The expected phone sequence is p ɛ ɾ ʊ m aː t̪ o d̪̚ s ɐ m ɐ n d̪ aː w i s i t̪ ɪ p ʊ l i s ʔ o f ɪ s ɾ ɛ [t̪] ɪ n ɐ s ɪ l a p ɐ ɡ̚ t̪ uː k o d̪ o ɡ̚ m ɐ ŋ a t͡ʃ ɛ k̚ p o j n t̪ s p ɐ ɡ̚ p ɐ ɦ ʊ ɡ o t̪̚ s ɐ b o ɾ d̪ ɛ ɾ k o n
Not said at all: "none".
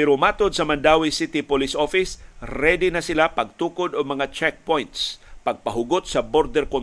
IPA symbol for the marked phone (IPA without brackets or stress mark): d̪